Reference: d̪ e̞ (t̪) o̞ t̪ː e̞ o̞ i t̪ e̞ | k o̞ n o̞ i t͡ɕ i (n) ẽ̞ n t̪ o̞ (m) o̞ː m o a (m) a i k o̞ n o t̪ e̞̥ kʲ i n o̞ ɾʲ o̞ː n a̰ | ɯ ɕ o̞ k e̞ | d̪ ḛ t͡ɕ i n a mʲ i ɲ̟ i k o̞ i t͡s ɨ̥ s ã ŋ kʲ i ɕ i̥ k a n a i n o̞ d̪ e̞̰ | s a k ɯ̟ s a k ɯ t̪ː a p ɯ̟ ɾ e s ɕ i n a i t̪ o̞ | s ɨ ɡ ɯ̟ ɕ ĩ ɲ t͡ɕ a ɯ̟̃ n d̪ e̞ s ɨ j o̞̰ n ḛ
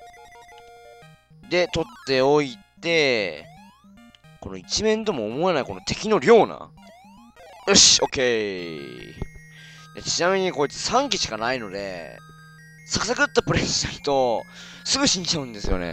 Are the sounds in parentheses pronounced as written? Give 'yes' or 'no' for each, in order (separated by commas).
yes, no, yes, no